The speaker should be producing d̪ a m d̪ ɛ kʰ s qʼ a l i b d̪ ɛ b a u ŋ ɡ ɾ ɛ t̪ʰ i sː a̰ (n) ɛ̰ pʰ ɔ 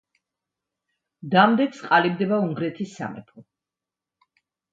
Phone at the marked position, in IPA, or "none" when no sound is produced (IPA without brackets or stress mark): m